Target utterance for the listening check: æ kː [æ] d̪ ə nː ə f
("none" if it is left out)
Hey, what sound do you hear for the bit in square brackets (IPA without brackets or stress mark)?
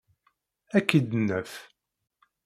i